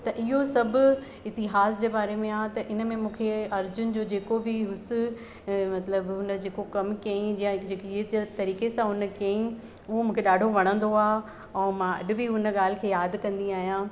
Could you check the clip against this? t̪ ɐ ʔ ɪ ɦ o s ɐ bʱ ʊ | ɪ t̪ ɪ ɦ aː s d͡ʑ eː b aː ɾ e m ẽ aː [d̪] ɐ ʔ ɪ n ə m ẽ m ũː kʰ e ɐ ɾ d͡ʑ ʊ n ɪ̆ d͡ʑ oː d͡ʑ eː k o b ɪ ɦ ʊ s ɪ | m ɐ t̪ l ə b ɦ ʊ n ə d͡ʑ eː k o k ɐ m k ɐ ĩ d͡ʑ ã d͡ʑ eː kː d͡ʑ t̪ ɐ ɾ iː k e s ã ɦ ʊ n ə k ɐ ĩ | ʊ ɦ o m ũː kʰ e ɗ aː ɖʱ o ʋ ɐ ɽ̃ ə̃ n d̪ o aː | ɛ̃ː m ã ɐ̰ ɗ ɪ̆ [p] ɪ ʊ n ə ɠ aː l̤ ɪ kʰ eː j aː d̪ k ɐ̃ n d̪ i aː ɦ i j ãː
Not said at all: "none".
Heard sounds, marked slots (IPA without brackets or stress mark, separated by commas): t̪, b